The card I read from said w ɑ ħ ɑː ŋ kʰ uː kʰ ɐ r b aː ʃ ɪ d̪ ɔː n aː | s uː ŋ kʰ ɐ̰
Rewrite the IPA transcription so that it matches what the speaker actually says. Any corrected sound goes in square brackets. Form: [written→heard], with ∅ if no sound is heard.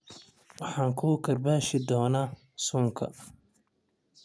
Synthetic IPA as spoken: w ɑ ħ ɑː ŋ kʰ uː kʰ ɐ r b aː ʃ ɪ d̪ ɔː n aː | s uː ŋ kʰ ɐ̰